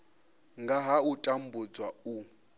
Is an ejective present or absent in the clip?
present